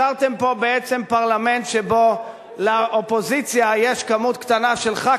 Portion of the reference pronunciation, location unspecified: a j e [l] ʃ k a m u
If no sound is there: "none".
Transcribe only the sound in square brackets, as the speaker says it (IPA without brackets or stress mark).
none